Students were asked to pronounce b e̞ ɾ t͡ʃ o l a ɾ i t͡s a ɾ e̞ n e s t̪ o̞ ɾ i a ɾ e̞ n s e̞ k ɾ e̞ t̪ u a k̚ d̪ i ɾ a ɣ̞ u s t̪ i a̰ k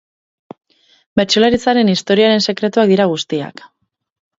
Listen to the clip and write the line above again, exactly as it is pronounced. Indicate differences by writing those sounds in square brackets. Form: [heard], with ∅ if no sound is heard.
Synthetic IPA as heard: b e̞ ɾ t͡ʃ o l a ɾ i t͡s a ɾ e̞ n [i] s t̪ o̞ ɾ i a ɾ e̞ n s e̞ k ɾ e̞ t̪ u a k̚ d̪ i ɾ a ɣ̞ u s t̪ i a̰ k